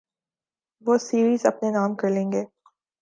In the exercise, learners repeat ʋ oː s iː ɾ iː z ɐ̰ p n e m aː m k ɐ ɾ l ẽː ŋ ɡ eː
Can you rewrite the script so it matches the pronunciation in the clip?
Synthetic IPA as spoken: ʋ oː s iː ɾ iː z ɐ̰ p n e n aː m k ɐ ɾ l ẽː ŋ ɡ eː